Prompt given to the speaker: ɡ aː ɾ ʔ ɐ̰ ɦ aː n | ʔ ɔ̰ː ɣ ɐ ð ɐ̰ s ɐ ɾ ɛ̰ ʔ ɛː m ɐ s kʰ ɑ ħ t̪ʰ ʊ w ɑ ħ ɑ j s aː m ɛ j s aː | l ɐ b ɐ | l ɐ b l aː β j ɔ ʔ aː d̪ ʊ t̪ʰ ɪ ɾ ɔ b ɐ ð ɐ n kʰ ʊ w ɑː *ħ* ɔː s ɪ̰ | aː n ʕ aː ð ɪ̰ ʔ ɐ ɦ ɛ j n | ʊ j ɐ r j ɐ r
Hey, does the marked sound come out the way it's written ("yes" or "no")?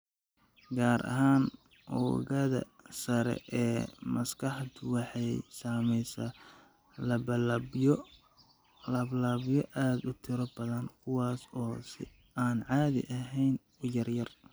no